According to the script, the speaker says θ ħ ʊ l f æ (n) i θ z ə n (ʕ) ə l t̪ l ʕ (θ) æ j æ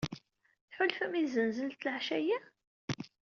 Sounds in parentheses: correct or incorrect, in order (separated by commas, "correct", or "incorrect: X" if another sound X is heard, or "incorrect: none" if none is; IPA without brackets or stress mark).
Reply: incorrect: m, incorrect: z, incorrect: ʃ